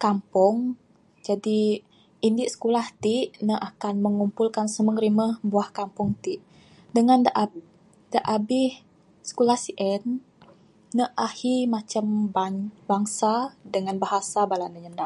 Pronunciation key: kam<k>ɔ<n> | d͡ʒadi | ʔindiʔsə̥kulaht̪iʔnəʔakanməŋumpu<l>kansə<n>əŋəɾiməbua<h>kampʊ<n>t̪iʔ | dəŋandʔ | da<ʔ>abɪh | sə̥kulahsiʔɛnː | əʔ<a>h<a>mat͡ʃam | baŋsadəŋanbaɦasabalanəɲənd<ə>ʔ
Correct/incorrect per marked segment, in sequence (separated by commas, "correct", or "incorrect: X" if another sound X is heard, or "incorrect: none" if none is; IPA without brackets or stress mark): incorrect: p, incorrect: ŋ, correct, incorrect: m, correct, incorrect: ŋ, correct, correct, incorrect: i, incorrect: a